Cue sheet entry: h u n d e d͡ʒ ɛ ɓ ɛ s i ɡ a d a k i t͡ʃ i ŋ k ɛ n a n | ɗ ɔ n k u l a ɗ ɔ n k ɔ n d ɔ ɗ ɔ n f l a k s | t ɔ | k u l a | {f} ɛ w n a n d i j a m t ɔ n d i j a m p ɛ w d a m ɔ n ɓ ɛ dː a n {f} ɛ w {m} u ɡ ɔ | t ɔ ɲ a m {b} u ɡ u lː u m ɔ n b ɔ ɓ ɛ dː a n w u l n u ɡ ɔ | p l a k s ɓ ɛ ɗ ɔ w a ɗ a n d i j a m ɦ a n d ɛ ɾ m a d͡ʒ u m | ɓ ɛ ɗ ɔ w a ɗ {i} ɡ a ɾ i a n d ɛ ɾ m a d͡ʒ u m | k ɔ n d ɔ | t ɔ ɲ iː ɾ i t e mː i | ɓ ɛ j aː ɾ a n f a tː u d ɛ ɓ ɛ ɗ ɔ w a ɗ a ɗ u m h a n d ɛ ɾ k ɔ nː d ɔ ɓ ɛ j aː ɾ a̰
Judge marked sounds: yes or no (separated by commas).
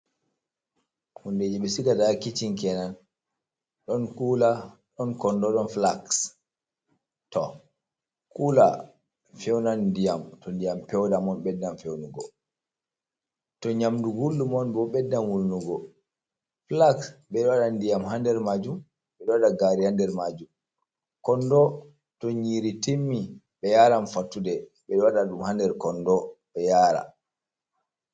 yes, yes, no, no, no